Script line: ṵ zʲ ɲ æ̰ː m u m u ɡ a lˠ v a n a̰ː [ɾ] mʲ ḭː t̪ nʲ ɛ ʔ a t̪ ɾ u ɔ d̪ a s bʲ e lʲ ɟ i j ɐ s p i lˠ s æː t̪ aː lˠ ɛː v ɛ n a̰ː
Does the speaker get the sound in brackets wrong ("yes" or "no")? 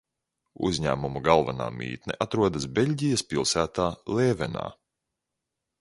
yes